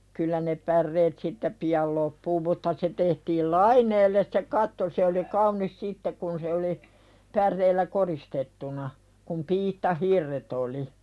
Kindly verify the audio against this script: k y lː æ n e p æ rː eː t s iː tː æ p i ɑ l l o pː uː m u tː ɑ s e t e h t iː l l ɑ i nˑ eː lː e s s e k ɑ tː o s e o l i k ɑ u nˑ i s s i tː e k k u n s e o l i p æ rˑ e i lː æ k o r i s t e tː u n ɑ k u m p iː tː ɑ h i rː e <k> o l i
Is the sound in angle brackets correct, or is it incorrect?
incorrect